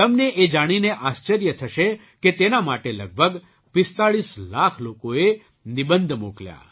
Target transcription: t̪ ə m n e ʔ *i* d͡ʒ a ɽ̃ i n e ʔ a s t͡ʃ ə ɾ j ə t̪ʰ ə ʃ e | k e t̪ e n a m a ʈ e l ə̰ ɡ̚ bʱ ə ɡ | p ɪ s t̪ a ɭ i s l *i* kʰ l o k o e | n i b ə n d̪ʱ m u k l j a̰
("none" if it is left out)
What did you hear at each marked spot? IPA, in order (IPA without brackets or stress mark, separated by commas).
e, a